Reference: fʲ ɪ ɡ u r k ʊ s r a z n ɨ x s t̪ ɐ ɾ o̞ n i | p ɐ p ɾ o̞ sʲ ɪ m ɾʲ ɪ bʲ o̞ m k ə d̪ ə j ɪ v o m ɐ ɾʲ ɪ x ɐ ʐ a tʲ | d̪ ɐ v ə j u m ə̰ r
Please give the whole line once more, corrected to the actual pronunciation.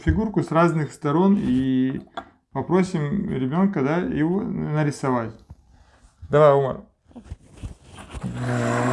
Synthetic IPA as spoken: fʲ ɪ ɡ u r k ʊ s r a z n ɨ x s t̪ ɐ ɾ o̞ n i | p ɐ p ɾ o̞ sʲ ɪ m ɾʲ ɪ bʲ o̞ n k ə d̪ a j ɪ v o n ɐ ɾʲ ɪ s ɐ v a tʲ | d̪ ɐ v a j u m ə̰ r

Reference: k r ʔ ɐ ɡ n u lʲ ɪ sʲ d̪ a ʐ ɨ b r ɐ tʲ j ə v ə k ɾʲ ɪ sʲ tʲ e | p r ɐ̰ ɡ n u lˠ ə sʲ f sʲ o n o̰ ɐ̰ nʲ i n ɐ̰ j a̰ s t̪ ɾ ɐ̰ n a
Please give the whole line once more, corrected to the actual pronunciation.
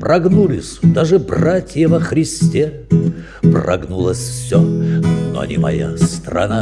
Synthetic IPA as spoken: p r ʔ ɐ ɡ n u lʲ ɪ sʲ d̪ a ʐ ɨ b r a tʲ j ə v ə x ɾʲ ɪ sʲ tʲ e | p r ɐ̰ ɡ n u lˠ ə sʲ f sʲ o n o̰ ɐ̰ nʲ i m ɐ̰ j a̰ s t̪ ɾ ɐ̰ n a

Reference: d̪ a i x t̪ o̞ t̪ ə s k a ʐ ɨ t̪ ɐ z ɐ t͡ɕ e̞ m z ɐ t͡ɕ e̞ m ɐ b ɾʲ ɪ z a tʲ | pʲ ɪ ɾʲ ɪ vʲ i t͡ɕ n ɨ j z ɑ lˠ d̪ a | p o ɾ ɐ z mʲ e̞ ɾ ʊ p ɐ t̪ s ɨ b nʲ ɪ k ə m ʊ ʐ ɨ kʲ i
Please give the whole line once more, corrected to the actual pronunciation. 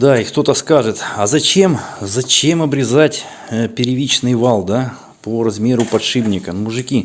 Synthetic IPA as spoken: d̪ a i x t̪ o̞ t̪ ə s k a ʐ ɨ t̪ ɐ z ɐ t͡ɕ e̞ m z ɐ t͡ɕ e̞ m ɐ b ɾʲ ɪ z a tʲ | pʲ ɪ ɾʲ ɪ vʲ i t͡ɕ n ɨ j v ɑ lˠ d̪ a | p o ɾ ɐ z mʲ e̞ ɾ ʊ p ɐ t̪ ʂ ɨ b nʲ ɪ k ə m ʊ ʐ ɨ kʲ i

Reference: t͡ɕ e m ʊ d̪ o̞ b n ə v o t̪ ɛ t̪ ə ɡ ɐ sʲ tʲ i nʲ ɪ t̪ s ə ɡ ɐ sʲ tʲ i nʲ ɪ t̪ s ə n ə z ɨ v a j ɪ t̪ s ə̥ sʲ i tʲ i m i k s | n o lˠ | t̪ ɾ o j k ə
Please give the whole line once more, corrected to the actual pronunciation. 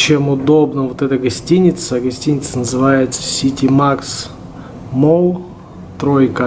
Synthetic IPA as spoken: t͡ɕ e m ʊ d̪ o̞ b n ə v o t̪ ɛ t̪ ə ɡ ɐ sʲ tʲ i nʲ ɪ t̪ s ə ɡ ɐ sʲ tʲ i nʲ ɪ t̪ s ə n ə z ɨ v a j ɪ t̪ s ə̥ sʲ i tʲ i m a k s | m o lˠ | t̪ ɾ o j k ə

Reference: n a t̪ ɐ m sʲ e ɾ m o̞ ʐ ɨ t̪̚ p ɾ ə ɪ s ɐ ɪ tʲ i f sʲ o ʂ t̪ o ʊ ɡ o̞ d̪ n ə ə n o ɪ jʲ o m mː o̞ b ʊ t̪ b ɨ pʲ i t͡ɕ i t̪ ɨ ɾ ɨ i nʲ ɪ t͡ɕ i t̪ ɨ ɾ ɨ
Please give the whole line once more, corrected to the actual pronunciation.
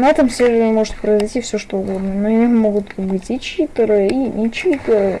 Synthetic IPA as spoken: n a t̪ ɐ m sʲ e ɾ m o̞ ʐ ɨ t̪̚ p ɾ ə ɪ z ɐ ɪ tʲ i f sʲ o ʂ t̪ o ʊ ɡ o̞ d̪ n ə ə n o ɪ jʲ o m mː o̞ ɡ ʊ t̪ b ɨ tʲ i t͡ɕ i t̪ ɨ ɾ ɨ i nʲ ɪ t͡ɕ i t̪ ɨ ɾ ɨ

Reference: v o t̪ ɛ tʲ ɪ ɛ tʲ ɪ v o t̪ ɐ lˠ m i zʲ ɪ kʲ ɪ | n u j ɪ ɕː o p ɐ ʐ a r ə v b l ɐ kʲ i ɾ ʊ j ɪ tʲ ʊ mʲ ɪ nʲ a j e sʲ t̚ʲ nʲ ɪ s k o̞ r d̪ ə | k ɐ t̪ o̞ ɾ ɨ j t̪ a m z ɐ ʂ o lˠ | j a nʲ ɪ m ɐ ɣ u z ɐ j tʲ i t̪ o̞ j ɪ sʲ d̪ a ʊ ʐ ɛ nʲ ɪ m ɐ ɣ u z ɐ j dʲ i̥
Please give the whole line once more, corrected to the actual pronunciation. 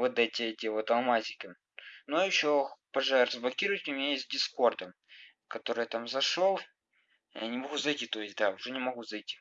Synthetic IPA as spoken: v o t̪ ɛ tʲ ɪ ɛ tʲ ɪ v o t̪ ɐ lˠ m a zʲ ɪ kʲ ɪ | n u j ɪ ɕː o p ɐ ʐ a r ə z b l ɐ kʲ i ɾ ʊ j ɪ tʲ ʊ mʲ ɪ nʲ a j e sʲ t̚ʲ dʲ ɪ s k o̞ r d̪ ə | k ɐ t̪ o̞ ɾ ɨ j t̪ a m z ɐ ʂ o lˠ | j a nʲ ɪ m ɐ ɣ u z ɐ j tʲ i t̪ o̞ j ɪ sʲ d̪ a ʊ ʐ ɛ nʲ ɪ m ɐ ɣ u z ɐ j tʲ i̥

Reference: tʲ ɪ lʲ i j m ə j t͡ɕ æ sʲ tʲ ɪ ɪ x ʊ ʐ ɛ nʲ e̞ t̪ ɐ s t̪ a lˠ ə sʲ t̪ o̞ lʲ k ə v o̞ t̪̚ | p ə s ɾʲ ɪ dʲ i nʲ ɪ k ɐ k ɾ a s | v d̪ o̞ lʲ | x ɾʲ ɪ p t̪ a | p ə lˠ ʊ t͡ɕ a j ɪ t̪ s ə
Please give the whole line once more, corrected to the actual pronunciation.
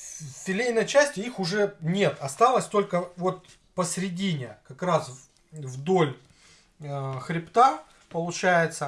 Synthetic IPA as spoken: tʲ ɪ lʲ e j n ə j t͡ɕ æ sʲ tʲ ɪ i x ʊ ʐ ɛ nʲ e̞ t̪ ɐ s t̪ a lˠ ə sʲ t̪ o̞ lʲ k ə v o̞ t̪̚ | p ə s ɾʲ ɪ dʲ i nʲ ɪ k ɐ k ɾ a s | v d̪ o̞ lʲ | x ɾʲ ɪ p t̪ a | p ə lˠ ʊ t͡ɕ æ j ɪ t̪ s ə

